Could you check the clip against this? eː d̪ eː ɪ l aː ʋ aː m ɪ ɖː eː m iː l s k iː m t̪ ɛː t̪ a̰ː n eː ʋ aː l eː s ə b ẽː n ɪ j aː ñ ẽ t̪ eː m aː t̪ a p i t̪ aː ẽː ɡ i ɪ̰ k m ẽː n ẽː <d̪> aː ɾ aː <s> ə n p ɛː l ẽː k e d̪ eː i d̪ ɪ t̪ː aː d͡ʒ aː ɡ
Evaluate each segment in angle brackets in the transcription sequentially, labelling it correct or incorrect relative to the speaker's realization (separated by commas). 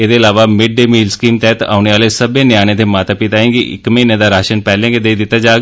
correct, incorrect